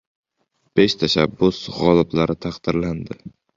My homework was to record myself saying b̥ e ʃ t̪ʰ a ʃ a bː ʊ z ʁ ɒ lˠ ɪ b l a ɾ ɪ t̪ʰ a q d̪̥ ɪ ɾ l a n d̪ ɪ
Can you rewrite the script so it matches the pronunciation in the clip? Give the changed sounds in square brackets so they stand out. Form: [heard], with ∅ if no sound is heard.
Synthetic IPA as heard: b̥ e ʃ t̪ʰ a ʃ a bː ʊ [s] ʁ ɒ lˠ ɪ b l a ɾ ɪ t̪ʰ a q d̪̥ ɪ ɾ l a n d̪ ɪ